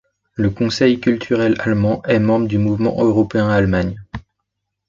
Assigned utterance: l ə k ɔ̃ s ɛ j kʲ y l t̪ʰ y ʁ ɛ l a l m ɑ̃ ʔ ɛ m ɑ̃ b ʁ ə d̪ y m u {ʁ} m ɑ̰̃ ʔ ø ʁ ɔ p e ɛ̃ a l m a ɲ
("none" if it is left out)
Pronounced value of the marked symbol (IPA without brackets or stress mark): v